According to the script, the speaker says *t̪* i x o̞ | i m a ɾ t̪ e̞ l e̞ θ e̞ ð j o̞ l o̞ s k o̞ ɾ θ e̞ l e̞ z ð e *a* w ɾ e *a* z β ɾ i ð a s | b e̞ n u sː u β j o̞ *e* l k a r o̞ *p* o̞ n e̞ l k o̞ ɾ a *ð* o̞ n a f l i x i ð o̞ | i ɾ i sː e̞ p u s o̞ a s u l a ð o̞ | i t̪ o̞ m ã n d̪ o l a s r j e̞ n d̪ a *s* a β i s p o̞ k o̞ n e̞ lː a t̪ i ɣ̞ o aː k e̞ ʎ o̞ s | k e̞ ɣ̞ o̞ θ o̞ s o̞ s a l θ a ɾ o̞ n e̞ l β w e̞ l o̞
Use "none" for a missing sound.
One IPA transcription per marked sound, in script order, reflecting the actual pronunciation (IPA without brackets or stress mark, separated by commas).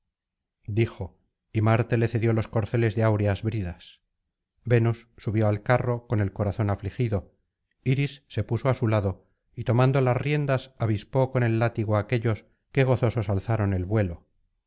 d̪, a, a, a, k, θ, s